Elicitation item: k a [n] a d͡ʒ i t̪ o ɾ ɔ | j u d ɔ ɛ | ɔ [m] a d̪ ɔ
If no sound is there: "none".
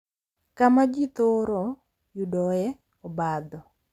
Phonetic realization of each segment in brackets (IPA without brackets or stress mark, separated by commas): m, b